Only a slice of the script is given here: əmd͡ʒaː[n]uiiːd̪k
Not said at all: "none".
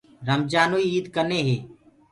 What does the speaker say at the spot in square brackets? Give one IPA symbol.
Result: n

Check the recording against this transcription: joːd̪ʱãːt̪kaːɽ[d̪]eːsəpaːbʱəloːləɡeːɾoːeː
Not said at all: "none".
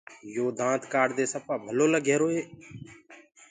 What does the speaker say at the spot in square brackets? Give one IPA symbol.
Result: d̪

